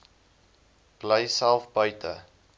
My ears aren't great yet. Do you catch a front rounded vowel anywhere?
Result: yes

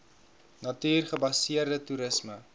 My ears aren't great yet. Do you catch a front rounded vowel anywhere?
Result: no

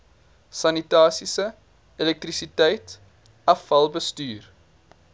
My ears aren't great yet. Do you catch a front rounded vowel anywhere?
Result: yes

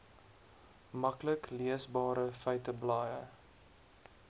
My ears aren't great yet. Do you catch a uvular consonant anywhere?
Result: no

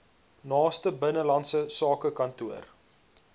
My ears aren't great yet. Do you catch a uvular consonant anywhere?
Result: no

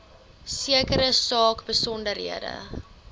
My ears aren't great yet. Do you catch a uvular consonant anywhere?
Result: no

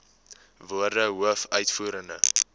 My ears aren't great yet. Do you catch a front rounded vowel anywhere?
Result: yes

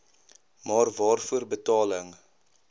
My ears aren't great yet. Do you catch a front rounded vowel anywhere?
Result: no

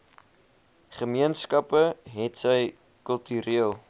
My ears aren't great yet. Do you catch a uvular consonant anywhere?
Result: yes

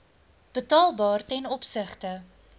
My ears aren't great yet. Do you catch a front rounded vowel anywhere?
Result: no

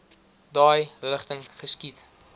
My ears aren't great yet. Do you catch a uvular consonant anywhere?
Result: yes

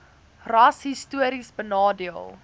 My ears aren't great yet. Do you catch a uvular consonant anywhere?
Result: no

